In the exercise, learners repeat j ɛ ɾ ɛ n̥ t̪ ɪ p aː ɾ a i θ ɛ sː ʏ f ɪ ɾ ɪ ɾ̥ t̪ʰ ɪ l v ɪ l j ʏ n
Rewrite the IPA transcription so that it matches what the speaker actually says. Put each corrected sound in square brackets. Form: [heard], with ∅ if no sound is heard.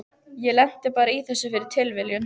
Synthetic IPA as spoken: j ɛ [l] ɛ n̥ t̪ ɪ p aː ɾ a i θ ɛ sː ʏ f ɪ ɾ ɪ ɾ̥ t̪ʰ ɪ l v ɪ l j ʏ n